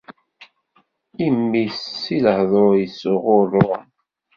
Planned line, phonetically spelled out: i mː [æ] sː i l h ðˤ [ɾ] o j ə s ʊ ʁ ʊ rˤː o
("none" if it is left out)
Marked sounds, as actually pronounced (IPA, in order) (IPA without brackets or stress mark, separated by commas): i, ɾ